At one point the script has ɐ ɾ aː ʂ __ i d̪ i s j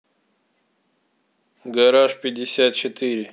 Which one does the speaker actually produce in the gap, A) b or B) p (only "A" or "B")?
B